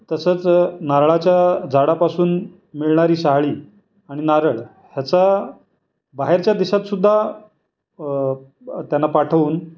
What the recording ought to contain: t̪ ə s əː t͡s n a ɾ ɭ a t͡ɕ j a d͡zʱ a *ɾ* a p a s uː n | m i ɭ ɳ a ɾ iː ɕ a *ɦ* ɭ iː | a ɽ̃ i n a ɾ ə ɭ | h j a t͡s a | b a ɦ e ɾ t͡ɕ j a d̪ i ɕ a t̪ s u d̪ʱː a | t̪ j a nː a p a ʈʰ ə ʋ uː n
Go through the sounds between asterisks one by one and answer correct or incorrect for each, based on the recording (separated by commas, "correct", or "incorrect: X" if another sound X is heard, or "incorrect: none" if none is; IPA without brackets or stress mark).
incorrect: ɽ, correct